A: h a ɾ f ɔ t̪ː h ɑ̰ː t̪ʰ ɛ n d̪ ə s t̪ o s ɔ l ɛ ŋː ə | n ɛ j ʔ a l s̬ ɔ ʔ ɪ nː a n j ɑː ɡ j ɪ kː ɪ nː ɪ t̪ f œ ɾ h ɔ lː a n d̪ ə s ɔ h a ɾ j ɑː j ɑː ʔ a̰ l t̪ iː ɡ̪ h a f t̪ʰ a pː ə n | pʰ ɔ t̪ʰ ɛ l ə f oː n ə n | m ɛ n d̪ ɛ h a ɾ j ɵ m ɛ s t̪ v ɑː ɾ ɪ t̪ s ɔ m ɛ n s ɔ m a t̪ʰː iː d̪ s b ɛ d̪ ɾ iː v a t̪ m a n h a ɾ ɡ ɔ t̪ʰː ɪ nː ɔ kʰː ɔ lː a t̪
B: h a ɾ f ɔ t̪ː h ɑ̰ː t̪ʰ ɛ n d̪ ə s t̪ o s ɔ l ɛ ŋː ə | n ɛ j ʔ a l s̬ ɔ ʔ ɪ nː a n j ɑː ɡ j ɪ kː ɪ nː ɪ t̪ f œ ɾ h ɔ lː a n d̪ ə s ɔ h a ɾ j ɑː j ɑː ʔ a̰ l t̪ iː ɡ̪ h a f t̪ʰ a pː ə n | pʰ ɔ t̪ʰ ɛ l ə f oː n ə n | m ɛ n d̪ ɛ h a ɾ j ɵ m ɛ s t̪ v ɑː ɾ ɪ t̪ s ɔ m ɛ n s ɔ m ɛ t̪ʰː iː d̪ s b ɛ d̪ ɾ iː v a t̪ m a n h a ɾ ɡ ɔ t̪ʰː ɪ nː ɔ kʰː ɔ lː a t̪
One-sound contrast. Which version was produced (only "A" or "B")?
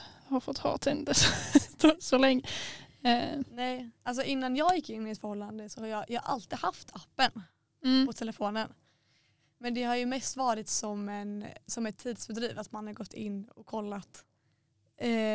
B